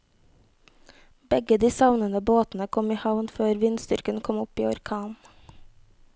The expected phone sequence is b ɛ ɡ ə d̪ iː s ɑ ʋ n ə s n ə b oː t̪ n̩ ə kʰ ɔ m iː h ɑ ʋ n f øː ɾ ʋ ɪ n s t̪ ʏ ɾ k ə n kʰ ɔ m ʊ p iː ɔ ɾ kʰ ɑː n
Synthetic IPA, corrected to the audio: b ɛ ɡ ə d̪ iː s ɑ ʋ n ə n ə b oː t̪ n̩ ə kʰ ɔ m iː h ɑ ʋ n f øː ɾ ʋ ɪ n s t̪ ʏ ɾ k ə n kʰ ɔ m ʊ p iː ɔ ɾ kʰ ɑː n